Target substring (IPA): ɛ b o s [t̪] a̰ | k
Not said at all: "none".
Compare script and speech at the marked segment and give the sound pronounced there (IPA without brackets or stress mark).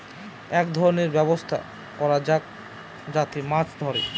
t̪ʰ